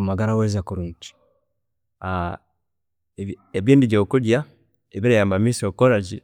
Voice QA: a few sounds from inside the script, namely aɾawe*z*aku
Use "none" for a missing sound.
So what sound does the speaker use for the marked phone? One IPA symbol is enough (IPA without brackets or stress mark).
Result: z